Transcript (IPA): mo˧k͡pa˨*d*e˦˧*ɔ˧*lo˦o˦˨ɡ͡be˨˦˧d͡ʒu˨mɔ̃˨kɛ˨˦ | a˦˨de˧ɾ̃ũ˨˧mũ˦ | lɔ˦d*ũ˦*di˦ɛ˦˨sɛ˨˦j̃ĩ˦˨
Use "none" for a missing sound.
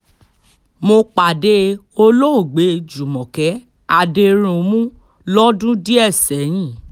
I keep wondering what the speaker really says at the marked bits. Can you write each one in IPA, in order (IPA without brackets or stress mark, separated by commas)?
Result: d, o˧, ũ˦